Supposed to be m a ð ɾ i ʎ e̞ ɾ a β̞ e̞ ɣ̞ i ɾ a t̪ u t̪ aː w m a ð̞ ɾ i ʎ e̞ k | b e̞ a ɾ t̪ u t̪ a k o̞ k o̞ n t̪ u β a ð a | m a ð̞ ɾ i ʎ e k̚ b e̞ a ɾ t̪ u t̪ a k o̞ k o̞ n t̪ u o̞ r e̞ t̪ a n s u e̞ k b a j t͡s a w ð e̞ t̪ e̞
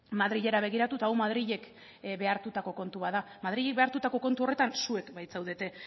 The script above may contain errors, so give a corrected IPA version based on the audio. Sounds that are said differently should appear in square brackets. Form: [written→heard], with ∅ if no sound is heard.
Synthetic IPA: m a ð ɾ i ʎ e̞ ɾ a β̞ e̞ ɣ̞ i ɾ a t̪ u t̪ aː w m a ð̞ ɾ i ʎ e̞ k | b e̞ a ɾ t̪ u t̪ a k o̞ k o̞ n t̪ u β a ð a | m a ð̞ ɾ i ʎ e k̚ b e̞ a ɾ t̪ u t̪ a k o̞ k o̞ n t̪ u o̞ r e̞ t̪ a n s u e̞ k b a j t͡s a w ð e̞ t̪ e̞